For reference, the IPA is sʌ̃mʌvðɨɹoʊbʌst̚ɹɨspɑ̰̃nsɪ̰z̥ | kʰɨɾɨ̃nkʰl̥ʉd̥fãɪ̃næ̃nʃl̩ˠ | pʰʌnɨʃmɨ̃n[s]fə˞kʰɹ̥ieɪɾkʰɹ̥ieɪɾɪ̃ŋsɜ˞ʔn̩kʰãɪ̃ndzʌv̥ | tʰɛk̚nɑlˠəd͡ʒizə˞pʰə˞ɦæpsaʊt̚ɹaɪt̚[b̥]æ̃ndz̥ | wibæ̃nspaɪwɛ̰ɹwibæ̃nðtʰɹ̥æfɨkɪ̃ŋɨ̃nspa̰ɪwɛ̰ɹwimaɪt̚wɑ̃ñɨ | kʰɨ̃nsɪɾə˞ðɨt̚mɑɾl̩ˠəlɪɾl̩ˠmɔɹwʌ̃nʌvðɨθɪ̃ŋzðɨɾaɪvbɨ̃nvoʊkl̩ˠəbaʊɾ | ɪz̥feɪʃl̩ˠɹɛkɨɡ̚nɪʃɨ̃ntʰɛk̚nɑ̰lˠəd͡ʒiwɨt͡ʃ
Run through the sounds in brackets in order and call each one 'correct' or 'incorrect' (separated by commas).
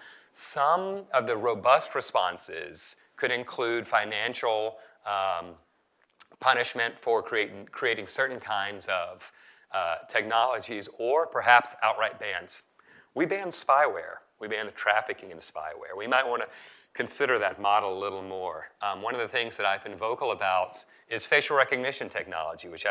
incorrect, correct